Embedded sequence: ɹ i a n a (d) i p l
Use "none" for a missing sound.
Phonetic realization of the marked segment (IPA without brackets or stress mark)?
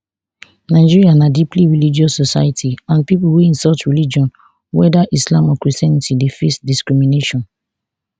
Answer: d